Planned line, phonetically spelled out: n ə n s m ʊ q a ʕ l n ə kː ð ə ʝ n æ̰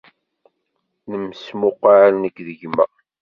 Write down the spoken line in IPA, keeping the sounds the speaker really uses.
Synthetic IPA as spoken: n ə m s m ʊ q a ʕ l n ə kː ð ə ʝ m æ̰

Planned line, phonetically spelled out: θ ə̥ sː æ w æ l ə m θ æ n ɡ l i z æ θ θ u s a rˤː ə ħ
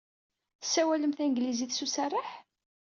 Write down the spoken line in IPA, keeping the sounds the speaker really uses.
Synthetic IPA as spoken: θ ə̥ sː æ w æ l ə m θ æ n ɡ l i z i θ s u s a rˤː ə ħ

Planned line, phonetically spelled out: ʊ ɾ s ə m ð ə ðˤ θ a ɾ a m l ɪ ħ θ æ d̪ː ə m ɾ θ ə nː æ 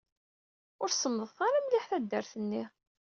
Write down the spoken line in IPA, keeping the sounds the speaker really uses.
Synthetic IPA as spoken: ʊ ɾ s ə m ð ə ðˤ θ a ɾ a m l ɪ ħ θ æ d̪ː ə ɾ θ ə nː i

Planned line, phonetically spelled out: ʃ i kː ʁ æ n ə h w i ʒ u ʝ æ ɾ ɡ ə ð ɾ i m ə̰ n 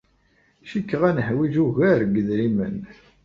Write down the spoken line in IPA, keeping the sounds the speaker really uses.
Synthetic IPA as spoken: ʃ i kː ʁ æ n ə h w i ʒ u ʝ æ ɾ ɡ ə ð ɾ i m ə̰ n

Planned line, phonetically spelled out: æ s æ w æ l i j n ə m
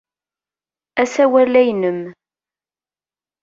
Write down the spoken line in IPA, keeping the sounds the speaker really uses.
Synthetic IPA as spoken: æ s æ w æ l æ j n ə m

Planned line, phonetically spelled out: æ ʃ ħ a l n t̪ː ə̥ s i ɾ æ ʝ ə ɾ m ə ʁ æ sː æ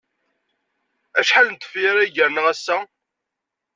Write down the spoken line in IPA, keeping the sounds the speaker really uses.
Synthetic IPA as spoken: æ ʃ ħ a l n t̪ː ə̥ f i ɾ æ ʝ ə ɾ n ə ʁ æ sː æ

